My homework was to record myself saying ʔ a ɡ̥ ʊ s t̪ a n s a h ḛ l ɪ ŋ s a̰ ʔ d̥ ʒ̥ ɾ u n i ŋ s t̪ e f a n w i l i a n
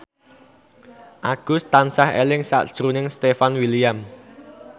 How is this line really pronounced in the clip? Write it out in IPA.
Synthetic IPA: ʔ a ɡ̥ ʊ s t̪ a n s a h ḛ l ɪ ŋ s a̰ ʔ d̥ ʒ̥ ɾ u n ɪ ŋ s t̪ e f a n w i l i a m